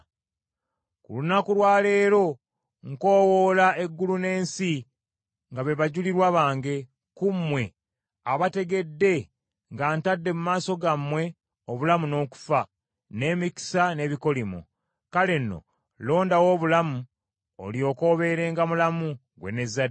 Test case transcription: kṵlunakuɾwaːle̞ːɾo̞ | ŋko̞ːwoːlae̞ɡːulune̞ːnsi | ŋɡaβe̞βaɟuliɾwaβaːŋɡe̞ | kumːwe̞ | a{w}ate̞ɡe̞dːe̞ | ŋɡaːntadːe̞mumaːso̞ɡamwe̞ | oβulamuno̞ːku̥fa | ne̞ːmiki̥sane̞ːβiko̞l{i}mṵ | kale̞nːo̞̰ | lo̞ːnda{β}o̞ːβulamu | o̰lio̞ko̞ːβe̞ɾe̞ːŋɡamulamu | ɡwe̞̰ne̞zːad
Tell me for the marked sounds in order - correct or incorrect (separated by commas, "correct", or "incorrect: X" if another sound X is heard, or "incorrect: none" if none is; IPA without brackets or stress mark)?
incorrect: β, correct, incorrect: w